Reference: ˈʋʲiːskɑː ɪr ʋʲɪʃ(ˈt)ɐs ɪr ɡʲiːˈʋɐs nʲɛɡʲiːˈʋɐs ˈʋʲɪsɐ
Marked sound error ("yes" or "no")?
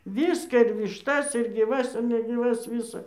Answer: no